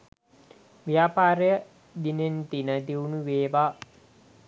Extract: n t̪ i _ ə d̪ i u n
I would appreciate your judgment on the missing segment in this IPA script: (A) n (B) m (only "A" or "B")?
A